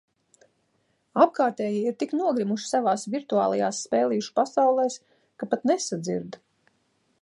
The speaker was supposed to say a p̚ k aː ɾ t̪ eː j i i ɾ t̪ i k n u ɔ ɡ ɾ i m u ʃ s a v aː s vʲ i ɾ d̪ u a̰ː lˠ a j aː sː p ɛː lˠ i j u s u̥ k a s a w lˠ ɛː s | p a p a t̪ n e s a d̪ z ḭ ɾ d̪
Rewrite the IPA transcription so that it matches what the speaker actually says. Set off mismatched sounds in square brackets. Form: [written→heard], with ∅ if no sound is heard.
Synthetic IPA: a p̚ k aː ɾ t̪ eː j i i ɾ t̪ i k n u ɔ ɡ ɾ i m u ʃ s a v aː s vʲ i ɾ [d̪→t̪] u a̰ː lˠ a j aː sː p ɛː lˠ i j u [s→ʃ] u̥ [k→p] a s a w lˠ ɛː s | [p→k] a p a t̪ n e s a d̪ z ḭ ɾ d̪